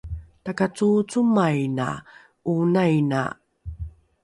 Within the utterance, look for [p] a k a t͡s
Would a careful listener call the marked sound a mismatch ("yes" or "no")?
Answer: yes